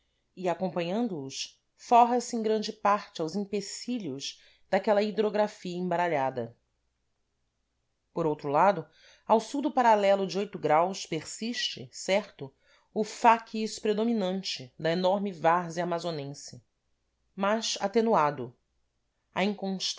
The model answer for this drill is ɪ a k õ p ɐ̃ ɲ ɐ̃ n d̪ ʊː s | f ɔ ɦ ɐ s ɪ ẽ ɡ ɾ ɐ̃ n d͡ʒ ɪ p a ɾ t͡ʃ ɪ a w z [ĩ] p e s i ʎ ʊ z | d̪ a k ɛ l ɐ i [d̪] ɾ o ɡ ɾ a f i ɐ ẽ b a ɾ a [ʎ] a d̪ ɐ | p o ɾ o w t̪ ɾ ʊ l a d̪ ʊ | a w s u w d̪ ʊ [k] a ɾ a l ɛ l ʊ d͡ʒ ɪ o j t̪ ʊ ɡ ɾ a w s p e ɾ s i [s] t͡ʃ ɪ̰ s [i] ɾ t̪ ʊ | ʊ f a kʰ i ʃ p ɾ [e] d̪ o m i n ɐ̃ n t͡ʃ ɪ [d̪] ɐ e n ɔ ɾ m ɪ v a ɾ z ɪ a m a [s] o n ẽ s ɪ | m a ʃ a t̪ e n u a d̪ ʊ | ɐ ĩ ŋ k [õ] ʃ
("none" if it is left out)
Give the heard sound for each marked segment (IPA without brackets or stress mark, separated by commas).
ĩ, d̪, ʎ, p, ʃ, ɛ, e, d̪, z, õ